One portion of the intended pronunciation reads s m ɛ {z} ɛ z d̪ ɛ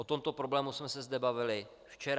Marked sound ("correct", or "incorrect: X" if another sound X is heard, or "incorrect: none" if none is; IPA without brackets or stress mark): incorrect: s